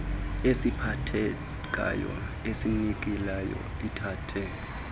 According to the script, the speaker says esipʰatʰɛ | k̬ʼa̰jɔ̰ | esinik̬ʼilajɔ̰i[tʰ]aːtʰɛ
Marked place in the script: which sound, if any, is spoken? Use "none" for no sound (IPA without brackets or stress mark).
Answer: tʰ